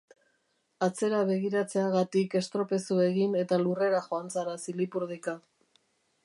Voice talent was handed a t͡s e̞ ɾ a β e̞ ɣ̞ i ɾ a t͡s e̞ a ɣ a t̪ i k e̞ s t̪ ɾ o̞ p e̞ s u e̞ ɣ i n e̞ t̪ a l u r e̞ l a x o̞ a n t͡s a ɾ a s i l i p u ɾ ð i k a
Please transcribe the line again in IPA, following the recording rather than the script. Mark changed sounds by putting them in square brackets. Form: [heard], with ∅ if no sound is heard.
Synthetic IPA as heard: a t͡s e̞ ɾ a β e̞ ɣ̞ i ɾ a t͡s e̞ a ɣ a t̪ i k e̞ s t̪ ɾ o̞ p e̞ s u e̞ ɣ i n e̞ t̪ a l u r e̞ [ɾ] a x o̞ a n t͡s a ɾ a s i l i p u ɾ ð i k a